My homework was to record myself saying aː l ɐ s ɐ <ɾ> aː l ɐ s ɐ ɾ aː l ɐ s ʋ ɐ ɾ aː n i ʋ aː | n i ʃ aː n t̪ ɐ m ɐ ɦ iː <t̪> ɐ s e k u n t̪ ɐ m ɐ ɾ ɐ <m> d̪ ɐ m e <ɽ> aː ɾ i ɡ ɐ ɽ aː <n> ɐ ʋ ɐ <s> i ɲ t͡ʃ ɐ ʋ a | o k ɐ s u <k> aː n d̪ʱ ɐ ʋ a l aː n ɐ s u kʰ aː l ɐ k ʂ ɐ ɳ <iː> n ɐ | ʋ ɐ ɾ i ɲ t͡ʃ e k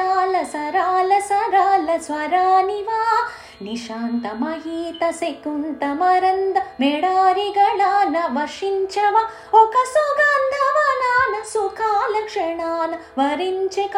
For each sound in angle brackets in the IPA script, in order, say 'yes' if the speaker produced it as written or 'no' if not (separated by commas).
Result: yes, yes, no, yes, yes, no, no, no